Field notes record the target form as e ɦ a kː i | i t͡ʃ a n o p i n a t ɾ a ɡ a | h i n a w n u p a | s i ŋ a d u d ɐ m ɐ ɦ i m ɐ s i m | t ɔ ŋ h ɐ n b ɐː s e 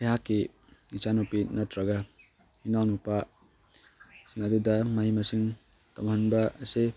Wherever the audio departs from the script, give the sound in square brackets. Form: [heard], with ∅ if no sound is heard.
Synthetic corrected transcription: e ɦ a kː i | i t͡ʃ a n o p i n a t ɾ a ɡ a | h i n a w n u p a | s i ŋ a d u d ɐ m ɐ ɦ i m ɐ s i [ŋ] | t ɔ [m] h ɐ n b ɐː s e